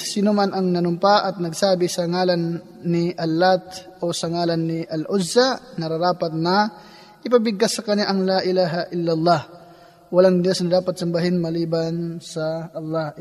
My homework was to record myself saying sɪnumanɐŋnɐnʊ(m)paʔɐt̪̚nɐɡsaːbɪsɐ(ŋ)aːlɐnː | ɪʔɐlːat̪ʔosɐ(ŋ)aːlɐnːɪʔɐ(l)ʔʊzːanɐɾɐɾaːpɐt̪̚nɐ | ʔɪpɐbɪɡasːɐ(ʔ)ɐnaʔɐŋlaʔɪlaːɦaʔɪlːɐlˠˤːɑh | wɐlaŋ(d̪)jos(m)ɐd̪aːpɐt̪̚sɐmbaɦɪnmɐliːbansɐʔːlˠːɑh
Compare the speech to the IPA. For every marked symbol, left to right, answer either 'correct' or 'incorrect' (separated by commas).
correct, correct, correct, correct, incorrect, correct, incorrect